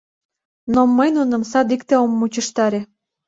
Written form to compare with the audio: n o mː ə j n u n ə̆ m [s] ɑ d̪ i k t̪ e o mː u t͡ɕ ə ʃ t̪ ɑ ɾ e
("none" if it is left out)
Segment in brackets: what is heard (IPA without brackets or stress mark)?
s